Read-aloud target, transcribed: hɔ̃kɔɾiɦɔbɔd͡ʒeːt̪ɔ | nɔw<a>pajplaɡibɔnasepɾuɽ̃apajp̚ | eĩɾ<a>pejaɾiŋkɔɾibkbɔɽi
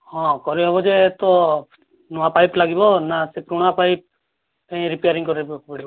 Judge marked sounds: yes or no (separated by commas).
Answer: yes, no